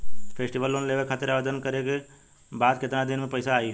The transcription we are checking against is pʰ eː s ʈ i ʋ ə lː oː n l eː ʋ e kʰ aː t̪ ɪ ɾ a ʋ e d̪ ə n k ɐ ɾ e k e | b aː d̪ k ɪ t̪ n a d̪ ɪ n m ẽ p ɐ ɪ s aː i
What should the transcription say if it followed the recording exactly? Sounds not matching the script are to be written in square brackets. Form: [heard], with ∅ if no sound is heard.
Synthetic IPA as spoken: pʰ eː s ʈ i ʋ ə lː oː n l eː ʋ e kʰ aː t̪ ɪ ɾ a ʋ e d̪ ə n k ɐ ɾ e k e | b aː d̪ k ɪ t̪ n a d̪ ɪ n m ẽ p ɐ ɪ s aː i